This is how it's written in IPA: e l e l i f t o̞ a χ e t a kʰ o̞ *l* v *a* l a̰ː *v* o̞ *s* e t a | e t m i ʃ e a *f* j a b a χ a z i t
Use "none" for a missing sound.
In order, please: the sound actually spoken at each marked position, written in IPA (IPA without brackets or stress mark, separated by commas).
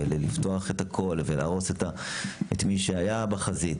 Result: l, e, ʁ, s, none